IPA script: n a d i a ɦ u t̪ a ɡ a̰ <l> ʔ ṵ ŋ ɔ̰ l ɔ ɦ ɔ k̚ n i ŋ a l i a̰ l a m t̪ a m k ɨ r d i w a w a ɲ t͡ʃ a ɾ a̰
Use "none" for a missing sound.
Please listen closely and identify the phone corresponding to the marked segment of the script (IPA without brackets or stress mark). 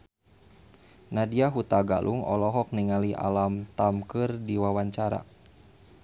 l